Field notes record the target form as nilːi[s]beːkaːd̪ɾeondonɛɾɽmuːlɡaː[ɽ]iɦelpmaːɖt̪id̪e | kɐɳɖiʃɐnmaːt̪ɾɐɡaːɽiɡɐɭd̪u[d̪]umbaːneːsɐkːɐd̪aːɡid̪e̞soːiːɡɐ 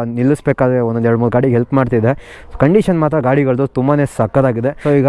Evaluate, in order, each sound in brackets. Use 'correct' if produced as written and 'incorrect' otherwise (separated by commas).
correct, correct, incorrect